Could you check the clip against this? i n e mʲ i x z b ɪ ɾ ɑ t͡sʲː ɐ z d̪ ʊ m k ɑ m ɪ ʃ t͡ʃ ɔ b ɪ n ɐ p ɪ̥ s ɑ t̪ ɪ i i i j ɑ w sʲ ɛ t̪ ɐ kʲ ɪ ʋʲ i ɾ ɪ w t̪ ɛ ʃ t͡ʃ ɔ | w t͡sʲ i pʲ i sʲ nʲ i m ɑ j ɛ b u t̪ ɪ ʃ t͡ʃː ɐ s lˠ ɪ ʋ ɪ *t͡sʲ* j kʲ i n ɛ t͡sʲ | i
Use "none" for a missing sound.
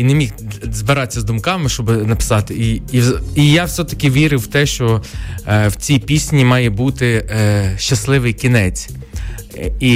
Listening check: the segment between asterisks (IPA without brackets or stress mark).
none